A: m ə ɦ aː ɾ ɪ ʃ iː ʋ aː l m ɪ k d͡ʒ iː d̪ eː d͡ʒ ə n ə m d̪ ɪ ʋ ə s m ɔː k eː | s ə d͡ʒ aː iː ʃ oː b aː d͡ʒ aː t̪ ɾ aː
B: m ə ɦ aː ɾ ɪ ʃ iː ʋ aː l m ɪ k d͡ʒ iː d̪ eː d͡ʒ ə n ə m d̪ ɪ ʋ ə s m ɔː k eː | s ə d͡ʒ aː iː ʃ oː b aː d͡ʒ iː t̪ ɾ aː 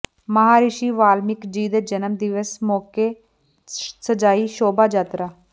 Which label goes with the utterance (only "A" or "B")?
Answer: A